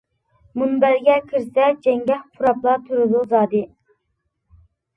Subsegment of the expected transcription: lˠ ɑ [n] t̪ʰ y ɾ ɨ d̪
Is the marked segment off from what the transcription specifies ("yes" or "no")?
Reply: yes